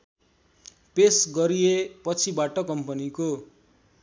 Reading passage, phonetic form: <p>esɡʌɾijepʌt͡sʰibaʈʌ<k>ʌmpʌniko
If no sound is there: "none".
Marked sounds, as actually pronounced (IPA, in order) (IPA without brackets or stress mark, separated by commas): p, k